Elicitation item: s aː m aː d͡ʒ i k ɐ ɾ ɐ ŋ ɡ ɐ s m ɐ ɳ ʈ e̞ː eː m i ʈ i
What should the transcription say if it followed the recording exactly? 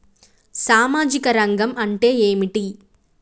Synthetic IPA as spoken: s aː m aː d͡ʒ i k ɐ ɾ ɐ ŋ ɡ ɐ m ɐ ɳ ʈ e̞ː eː m i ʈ i

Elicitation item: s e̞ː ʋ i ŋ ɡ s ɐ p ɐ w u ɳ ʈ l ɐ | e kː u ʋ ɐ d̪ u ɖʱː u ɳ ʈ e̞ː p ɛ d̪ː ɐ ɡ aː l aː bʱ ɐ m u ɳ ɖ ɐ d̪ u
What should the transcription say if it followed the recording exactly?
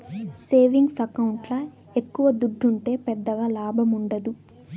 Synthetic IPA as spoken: s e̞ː ʋ i ŋ ɡ s ɐ k ɐ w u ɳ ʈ l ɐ | e kː u ʋ ɐ d̪ u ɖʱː u ɳ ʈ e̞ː p ɛ d̪ː ɐ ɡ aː l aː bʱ ɐ m u ɳ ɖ ɐ d̪ u

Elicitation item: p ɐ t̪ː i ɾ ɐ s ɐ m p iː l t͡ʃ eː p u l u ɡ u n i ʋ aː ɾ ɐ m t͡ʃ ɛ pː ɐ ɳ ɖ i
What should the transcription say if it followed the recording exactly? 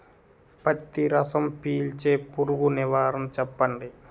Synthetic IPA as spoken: p ɐ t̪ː i ɾ ɐ s ɐ m p iː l t͡ʃ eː p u ɾ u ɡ u n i ʋ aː ɾ ɐ m t͡ʃ ɛ pː ɐ ɳ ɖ i

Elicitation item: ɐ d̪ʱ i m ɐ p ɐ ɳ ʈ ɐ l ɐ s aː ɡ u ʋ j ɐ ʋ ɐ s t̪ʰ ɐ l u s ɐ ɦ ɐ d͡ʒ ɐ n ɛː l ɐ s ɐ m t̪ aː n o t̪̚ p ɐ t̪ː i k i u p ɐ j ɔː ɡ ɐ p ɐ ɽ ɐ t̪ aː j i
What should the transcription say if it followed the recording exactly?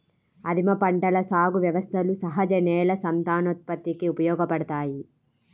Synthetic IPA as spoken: ɐ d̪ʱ i m ɐ p ɐ ɳ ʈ ɐ l ɐ s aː ɡ u ʋ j ɐ ʋ ɐ s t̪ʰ ɐ l u s ɐ ɦ ɐ d͡ʒ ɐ n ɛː l ɐ s ɐ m t̪ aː n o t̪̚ p ɐ t̪ː i k i u p ɐ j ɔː ɡ ɐ p ɐ ɽ ɐ t̪ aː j i

